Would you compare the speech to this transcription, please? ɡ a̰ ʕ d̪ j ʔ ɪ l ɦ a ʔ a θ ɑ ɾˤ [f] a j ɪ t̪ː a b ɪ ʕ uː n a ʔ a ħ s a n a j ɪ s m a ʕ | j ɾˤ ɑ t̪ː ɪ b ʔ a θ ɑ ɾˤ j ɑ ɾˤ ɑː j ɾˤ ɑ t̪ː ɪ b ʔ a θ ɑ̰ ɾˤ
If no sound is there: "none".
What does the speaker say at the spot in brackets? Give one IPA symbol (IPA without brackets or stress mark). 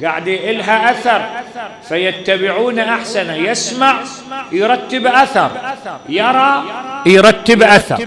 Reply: f